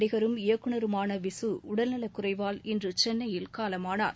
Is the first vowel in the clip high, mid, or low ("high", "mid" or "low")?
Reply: high